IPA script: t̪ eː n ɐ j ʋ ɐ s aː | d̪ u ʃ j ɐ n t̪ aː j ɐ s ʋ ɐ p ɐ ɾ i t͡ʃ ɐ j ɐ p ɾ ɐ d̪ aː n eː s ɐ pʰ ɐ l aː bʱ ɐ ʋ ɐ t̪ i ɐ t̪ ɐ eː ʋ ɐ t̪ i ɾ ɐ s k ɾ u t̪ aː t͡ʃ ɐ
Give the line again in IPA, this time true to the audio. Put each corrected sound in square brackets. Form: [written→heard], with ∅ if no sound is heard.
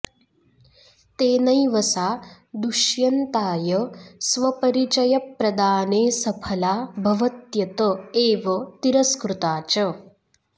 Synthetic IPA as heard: t̪ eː n ɐ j ʋ ɐ s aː | d̪ u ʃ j ɐ n t̪ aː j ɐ s ʋ ɐ p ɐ ɾ i t͡ʃ ɐ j ɐ p ɾ ɐ d̪ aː n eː s ɐ pʰ ɐ l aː bʱ ɐ ʋ ɐ t̪ [i→j] ɐ t̪ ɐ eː ʋ ɐ t̪ i ɾ ɐ s k ɾ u t̪ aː t͡ʃ ɐ